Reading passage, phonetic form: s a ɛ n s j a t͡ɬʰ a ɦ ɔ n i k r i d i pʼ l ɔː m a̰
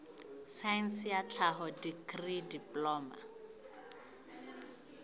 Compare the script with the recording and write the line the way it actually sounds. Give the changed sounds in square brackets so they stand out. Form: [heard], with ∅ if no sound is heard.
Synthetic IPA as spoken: s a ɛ n s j a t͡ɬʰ a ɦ ɔ [d] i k r i d i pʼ l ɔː m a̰

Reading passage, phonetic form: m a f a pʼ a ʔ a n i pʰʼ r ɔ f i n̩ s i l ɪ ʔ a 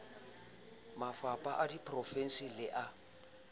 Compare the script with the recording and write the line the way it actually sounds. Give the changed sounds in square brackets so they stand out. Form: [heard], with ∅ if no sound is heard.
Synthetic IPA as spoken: m a f a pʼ a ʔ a [d] i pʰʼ r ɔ f [ɛ] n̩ s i l ɪ ʔ a

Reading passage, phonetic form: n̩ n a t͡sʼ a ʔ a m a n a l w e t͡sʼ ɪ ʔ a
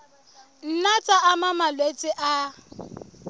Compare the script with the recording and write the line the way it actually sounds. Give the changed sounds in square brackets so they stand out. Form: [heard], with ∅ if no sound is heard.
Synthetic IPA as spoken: n̩ n a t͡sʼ a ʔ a m a [m] a l w e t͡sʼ ɪ ʔ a

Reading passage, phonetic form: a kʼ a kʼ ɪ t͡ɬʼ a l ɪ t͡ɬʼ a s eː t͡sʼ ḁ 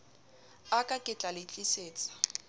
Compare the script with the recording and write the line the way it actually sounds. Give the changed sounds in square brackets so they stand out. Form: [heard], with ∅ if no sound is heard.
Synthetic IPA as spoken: a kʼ a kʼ ɪ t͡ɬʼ a l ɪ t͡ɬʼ [i] s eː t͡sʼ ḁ

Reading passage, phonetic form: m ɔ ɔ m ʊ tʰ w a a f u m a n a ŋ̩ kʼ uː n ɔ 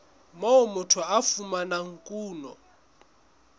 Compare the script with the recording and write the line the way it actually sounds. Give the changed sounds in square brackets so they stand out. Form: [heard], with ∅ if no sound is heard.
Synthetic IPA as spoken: m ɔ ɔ m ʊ tʰ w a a f u m a n a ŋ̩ kʼ uː n ɔ

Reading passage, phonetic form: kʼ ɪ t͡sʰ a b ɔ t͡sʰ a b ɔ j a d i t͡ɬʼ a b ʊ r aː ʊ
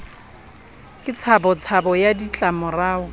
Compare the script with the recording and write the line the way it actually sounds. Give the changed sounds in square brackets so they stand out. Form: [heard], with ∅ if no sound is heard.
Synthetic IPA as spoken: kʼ ɪ t͡sʰ a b ɔ t͡sʰ a b ɔ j a d i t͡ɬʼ a [m] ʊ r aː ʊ

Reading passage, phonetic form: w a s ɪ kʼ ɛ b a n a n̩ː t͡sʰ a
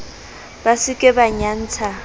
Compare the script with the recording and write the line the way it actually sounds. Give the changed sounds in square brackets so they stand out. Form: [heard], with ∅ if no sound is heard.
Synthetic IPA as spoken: [b] a s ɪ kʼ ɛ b a [ɲ] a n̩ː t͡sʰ a

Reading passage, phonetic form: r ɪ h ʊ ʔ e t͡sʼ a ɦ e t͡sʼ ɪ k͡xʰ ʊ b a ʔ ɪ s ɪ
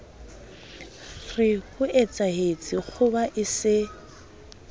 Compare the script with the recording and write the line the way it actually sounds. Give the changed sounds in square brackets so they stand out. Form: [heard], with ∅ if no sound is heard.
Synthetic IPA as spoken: r ɪ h ʊ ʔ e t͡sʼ a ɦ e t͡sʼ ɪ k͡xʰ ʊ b a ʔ ɪ s ɪ

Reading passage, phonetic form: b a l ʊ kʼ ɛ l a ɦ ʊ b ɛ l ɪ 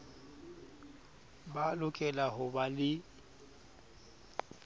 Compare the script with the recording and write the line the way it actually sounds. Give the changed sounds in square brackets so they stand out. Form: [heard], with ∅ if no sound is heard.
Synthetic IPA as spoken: b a l ʊ kʼ ɛ l a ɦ ʊ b [a] l ɪ

